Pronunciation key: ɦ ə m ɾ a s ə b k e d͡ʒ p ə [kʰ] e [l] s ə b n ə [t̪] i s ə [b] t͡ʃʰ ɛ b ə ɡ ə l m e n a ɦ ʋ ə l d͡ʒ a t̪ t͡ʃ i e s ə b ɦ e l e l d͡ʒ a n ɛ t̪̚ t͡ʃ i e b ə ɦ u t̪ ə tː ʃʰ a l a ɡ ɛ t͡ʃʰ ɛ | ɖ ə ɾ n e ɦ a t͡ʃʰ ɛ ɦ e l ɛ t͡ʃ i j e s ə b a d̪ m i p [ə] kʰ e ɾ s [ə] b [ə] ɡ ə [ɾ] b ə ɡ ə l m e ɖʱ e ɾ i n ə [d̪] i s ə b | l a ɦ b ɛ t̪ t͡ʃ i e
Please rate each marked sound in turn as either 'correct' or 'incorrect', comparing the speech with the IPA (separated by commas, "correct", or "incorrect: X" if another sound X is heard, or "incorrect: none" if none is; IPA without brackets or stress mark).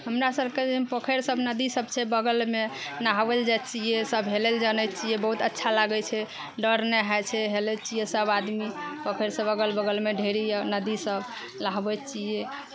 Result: correct, incorrect: ɾ, incorrect: d̪, correct, correct, correct, correct, incorrect: l, correct